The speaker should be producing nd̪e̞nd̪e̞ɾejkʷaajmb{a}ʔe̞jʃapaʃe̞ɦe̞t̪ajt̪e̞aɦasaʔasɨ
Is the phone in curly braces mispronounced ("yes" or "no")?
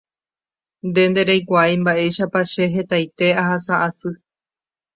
no